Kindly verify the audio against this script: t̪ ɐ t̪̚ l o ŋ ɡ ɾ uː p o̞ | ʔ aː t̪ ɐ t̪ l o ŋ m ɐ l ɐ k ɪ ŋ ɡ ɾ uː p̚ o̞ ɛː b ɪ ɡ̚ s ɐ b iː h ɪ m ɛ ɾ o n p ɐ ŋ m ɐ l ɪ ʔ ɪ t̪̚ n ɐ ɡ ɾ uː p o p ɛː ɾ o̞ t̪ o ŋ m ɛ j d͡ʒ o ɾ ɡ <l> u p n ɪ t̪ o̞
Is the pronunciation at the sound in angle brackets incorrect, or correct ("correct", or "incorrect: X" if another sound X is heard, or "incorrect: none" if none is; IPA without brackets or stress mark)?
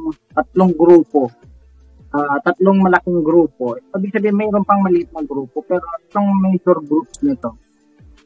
incorrect: ɾ